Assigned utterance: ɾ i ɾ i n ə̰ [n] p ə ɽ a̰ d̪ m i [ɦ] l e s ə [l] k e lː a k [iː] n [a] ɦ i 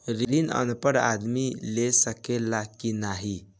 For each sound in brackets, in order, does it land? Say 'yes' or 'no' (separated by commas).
yes, no, no, no, yes